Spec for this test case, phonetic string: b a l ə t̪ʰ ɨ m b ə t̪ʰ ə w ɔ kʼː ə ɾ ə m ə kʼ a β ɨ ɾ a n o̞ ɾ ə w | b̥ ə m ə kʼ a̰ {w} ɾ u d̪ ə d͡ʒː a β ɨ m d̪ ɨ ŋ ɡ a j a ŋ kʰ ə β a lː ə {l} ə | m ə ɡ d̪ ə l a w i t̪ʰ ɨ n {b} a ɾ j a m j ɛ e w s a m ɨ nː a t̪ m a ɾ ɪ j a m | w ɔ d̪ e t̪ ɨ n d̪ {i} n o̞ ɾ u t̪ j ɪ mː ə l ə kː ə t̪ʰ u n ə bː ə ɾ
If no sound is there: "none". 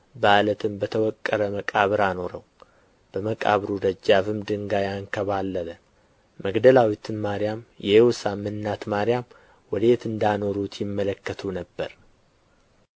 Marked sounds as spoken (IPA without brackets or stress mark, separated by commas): β, l, m, a